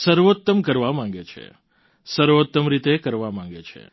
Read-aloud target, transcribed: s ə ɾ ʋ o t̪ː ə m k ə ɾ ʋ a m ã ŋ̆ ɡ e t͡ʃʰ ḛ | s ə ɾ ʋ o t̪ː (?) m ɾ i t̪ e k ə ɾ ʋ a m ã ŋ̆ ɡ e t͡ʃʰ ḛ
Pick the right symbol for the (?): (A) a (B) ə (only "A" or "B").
B